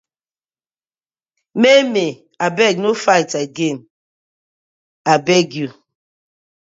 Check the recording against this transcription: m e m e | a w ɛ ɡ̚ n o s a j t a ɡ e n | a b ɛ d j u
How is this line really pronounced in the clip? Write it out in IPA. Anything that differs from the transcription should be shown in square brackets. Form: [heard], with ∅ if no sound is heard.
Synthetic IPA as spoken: m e m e | a [b] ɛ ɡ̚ n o [f] a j t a ɡ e n | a b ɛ [ɡ] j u